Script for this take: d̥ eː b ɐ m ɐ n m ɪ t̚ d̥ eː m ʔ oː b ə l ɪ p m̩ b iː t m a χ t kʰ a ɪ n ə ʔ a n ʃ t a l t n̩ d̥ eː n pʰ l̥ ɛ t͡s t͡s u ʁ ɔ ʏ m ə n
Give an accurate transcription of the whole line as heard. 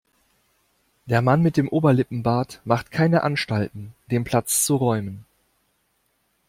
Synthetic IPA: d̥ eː ɐ m a n m ɪ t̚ d̥ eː m ʔ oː b ɐ l ɪ p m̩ b aː t m a χ t kʰ a ɪ n ə ʔ a n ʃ t a l t n̩ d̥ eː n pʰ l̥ a t͡s t͡s u ʁ ɔ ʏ m ə n